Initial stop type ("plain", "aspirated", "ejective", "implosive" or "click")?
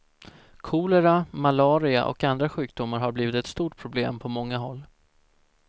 aspirated